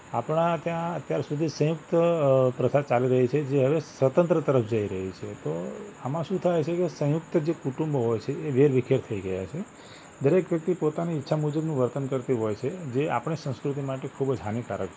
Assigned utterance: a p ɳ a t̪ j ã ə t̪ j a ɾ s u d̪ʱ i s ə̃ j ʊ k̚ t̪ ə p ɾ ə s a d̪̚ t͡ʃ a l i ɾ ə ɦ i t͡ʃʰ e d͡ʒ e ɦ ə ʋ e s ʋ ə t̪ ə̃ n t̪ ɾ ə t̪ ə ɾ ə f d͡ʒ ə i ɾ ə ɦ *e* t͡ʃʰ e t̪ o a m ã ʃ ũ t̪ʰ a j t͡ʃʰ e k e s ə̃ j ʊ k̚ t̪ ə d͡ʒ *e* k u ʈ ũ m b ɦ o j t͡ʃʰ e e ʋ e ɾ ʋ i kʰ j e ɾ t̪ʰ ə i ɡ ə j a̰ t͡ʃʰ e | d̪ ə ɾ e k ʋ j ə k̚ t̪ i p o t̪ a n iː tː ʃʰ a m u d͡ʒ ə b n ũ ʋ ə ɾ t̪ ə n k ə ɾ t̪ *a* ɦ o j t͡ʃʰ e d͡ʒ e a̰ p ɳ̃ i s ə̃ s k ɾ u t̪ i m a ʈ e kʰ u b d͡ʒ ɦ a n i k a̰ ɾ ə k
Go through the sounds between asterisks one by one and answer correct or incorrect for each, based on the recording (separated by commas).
incorrect, correct, incorrect